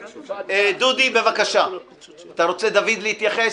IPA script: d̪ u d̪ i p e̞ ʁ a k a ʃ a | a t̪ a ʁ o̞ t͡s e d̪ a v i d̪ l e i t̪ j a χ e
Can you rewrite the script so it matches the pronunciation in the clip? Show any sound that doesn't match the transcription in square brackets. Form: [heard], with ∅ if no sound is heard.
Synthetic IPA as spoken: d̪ u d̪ i [b] e̞ [v] a k a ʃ a | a t̪ a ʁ o̞ t͡s e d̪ a v i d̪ l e i t̪ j a χ e